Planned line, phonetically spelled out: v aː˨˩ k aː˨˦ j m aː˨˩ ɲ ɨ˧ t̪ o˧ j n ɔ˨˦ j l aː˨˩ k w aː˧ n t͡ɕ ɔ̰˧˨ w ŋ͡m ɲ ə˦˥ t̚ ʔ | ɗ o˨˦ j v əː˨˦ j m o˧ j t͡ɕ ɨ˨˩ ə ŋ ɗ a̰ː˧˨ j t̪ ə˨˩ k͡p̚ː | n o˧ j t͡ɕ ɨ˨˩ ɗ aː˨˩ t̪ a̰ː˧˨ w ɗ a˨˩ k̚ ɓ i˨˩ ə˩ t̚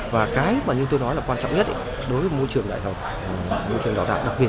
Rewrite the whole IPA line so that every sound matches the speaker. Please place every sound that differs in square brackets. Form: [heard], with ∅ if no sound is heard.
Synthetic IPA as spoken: v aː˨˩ k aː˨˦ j m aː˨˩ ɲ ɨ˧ t̪ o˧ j n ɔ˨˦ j l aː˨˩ k w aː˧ n t͡ɕ ɔ̰˧˨ w ŋ͡m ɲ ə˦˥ t̚ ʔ | ɗ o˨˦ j v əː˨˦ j m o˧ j t͡ɕ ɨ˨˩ ə ŋ ɗ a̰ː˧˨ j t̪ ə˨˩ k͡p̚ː | [m] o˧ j t͡ɕ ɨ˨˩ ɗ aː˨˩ t̪ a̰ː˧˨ w ɗ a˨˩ k̚ ɓ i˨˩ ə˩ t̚